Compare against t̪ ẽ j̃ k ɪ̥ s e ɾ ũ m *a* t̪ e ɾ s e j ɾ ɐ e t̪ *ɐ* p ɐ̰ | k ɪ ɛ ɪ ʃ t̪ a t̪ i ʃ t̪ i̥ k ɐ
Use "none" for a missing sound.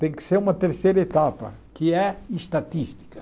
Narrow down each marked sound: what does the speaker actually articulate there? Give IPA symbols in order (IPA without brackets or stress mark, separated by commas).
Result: ɐ, a